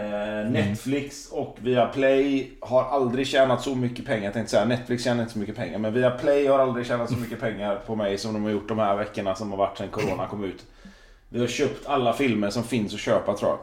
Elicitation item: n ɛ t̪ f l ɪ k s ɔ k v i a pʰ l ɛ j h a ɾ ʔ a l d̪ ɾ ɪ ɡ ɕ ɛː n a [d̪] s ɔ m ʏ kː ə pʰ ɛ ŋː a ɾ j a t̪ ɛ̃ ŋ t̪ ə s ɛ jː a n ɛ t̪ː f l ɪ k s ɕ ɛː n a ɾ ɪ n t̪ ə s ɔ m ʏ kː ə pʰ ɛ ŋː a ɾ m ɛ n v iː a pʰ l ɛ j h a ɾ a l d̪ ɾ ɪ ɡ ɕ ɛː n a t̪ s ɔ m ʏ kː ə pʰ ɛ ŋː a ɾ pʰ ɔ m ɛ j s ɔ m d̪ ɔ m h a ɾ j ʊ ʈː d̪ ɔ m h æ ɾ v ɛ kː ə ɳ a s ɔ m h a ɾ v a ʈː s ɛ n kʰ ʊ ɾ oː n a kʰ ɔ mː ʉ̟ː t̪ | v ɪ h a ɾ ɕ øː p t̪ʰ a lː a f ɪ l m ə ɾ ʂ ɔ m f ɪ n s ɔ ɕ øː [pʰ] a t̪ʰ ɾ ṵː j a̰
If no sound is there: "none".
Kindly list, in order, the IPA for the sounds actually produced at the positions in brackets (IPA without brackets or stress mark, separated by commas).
t̪, p